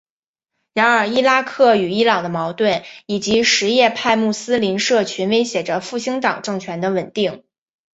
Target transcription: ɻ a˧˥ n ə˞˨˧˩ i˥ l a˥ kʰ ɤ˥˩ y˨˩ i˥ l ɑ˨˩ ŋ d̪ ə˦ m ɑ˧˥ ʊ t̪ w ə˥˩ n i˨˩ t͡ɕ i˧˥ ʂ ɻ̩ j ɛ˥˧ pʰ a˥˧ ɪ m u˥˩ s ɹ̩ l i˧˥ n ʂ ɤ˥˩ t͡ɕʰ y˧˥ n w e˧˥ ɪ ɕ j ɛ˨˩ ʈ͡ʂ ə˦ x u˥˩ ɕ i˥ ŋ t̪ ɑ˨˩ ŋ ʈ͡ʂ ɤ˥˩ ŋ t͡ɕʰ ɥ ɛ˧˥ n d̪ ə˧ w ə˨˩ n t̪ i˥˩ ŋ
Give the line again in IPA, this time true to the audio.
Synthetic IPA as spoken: ɻ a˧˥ n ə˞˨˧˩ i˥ l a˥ kʰ ɤ˥˩ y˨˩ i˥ l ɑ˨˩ ŋ d̪ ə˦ m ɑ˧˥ ʊ t̪ w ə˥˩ n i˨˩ t͡ɕ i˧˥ ʂ ɻ̩ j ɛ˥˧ pʰ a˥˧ ɪ m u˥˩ s ɹ̩ l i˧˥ n ʂ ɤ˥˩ t͡ɕʰ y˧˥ n w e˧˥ ɪ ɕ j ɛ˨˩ ʈ͡ʂ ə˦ f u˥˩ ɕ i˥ ŋ t̪ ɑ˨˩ ŋ ʈ͡ʂ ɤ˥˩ ŋ t͡ɕʰ ɥ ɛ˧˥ n d̪ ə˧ w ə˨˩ n t̪ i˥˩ ŋ

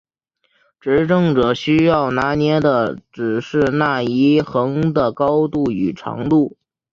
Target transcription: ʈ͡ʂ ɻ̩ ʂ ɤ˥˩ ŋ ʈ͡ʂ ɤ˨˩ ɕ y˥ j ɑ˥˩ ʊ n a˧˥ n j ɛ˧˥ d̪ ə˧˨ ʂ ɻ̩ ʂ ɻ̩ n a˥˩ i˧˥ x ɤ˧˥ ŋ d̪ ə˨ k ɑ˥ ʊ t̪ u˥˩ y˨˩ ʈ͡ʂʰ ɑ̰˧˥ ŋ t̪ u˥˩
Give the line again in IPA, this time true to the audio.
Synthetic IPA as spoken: ʈ͡ʂ ɻ̩ ʈ͡ʂ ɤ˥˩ ŋ ʈ͡ʂ ɤ˨˩ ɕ y˥ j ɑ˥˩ ʊ n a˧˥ n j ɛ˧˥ d̪ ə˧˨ ʈ͡ʂ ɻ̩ ʂ ɻ̩ n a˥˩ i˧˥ x ɤ˧˥ ŋ d̪ ə˨ k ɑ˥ ʊ t̪ u˥˩ y˨˩ ʈ͡ʂʰ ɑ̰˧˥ ŋ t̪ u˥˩

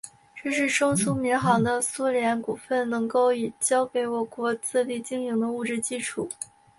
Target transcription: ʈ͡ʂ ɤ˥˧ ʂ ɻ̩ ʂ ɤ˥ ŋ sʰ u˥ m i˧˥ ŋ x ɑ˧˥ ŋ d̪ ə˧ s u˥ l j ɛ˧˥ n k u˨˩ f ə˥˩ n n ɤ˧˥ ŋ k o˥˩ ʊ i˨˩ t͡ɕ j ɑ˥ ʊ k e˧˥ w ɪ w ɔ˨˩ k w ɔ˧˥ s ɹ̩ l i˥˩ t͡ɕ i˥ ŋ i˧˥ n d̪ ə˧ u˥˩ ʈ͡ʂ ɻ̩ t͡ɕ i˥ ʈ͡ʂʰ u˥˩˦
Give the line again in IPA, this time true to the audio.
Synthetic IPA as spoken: ʈ͡ʂ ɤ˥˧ ʂ ɻ̩ ʂ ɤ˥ ŋ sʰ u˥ m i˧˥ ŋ x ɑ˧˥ ŋ d̪ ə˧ s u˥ l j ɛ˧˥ n k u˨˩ f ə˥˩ n n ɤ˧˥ ŋ k o˥˩ ʊ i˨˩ t͡ɕ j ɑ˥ ʊ k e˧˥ ɪ w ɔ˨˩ k w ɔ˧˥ t͡s ɹ̩ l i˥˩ t͡ɕ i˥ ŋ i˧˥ ŋ d̪ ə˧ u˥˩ ʈ͡ʂ ɻ̩ t͡ɕ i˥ ʈ͡ʂʰ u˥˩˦

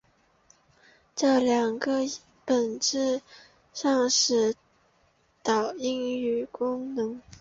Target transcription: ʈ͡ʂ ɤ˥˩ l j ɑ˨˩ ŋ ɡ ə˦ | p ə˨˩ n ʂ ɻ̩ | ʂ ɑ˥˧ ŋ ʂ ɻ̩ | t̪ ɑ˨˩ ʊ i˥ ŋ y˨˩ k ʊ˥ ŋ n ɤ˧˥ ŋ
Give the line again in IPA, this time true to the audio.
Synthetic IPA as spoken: ʈ͡ʂ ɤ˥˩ l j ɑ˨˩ ŋ ɡ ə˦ | p ə˨˩ n ʈ͡ʂ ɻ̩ | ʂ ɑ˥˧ ŋ ʂ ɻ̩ | t̪ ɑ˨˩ ʊ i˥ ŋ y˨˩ k ʊ˥ ŋ n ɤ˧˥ ŋ

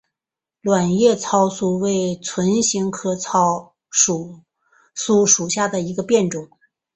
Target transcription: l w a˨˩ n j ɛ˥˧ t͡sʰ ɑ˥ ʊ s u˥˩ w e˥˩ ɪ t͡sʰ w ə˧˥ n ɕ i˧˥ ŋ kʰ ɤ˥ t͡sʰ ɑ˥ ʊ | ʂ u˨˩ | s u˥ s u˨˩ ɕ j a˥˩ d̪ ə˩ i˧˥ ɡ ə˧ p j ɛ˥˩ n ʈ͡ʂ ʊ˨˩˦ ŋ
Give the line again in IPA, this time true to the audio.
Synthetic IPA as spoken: l w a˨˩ n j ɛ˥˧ t͡sʰ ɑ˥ ʊ s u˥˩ w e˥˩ ɪ t͡sʰ w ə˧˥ n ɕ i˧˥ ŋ kʰ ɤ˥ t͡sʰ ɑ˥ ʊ | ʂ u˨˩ | s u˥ ʂ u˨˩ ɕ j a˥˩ d̪ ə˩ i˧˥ ɡ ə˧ p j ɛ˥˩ n ʈ͡ʂ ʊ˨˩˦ ŋ

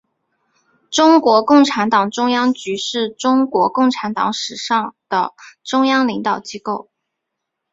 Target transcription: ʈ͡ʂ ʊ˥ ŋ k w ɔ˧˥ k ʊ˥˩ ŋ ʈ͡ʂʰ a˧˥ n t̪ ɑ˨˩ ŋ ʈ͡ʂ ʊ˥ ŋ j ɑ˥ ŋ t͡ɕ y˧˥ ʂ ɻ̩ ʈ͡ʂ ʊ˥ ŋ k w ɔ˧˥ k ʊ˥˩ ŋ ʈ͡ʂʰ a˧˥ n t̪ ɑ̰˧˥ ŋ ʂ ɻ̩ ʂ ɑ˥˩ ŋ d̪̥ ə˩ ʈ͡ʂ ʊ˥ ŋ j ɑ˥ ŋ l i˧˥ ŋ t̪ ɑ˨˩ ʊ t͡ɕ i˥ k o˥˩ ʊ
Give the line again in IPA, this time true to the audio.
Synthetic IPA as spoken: ʈ͡ʂ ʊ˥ ŋ k w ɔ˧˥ k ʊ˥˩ ŋ ʈ͡ʂʰ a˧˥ n t̪ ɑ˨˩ ŋ ʈ͡ʂ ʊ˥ ŋ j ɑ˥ ŋ t͡ɕ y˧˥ ʂ ɻ̩ ʈ͡ʂ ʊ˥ ŋ k w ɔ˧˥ k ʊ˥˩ ŋ ʈ͡ʂʰ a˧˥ n t̪ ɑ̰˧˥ ŋ ʂ ɻ̩ ʂ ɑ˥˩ ŋ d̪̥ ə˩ ʈ͡ʂ ʊ˥ ŋ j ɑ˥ ŋ l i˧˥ ŋ t̪ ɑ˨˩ ʊ t͡ɕ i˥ k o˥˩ ʊ

